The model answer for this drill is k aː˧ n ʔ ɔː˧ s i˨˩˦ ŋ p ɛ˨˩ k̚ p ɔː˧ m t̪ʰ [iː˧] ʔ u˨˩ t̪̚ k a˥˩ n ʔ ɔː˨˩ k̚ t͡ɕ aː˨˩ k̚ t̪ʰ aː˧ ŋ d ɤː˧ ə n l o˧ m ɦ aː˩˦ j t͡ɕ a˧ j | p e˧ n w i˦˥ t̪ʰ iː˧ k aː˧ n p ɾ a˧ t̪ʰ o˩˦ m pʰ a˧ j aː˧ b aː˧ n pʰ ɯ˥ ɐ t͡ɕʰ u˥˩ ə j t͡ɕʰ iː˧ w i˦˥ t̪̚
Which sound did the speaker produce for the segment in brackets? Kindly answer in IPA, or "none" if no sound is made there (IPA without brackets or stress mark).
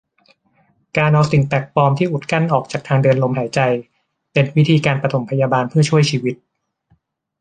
iː˥˩